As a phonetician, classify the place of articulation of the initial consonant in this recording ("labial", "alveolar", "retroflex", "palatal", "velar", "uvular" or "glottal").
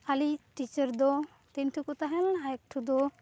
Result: alveolar